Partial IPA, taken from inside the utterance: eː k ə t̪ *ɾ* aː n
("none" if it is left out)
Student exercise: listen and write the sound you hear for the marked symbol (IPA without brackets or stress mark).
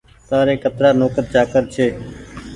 ɾ